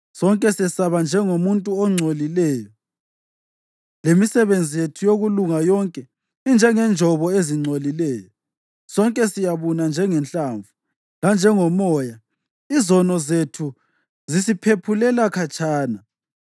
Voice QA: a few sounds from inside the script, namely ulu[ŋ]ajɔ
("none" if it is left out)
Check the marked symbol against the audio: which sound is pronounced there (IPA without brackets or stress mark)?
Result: ŋ